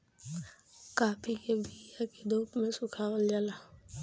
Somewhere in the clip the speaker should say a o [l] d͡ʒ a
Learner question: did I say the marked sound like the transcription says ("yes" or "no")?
yes